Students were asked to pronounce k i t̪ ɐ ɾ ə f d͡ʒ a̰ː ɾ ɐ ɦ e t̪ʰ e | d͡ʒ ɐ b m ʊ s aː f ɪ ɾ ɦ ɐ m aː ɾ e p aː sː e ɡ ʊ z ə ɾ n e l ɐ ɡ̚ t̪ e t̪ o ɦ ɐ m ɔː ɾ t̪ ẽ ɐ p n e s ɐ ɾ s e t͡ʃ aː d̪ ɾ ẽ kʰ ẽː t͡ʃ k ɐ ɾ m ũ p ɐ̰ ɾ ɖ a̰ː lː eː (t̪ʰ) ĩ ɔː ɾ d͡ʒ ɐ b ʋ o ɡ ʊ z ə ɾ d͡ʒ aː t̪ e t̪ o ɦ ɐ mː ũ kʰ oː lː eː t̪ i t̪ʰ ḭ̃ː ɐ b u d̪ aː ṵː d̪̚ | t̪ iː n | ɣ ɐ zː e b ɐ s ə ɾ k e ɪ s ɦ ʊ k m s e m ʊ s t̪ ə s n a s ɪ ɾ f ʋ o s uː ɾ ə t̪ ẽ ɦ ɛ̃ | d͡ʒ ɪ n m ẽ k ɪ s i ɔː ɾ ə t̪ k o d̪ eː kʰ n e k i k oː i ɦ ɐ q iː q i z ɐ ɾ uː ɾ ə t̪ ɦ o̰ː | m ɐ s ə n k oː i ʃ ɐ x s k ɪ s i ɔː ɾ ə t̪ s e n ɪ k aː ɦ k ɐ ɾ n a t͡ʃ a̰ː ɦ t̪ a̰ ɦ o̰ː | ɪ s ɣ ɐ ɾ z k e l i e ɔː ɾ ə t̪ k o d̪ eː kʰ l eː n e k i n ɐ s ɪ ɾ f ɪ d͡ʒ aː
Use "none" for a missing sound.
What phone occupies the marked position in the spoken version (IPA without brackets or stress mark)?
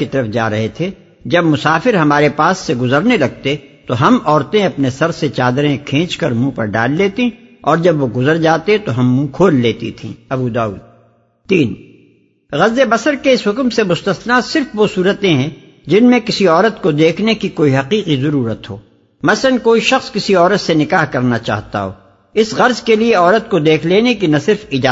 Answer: t̪